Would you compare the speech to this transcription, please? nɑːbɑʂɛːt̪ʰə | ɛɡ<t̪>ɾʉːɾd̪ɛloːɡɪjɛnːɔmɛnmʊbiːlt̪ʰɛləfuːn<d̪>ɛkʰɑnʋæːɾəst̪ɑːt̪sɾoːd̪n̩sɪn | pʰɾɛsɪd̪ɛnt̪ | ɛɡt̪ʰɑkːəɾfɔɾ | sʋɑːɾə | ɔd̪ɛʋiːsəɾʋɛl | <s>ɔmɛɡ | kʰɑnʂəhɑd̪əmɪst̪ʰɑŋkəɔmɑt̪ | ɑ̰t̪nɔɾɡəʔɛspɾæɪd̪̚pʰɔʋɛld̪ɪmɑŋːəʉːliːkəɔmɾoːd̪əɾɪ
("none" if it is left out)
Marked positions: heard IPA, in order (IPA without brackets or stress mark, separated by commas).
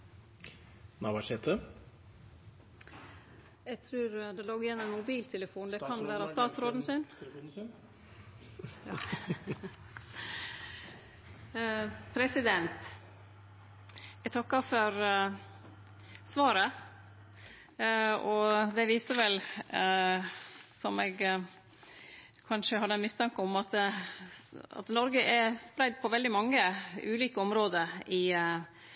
t̪ʰ, d̪, s